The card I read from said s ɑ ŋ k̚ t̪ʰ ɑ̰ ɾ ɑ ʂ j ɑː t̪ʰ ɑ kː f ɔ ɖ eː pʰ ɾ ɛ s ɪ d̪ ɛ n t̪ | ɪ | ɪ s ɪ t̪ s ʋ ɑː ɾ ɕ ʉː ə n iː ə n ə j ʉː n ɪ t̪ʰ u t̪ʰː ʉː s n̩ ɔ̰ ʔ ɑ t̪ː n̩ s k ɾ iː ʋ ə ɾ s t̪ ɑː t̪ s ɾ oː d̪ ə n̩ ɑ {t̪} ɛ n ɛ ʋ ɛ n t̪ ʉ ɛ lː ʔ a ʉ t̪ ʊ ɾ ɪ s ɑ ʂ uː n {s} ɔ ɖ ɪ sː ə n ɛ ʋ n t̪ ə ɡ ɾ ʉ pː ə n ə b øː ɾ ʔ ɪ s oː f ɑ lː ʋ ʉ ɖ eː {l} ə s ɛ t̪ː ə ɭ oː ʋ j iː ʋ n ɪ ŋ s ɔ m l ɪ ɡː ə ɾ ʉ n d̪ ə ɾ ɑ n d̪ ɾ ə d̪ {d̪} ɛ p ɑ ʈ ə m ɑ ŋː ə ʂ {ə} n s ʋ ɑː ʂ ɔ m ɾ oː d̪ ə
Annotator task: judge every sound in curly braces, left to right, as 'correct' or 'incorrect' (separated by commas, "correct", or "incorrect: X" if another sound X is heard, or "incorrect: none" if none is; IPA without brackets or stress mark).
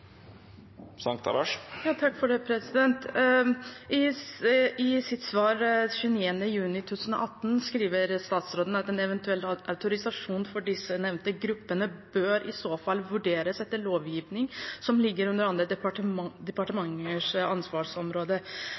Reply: correct, incorrect: f, incorrect: ɾ, correct, incorrect: ɑ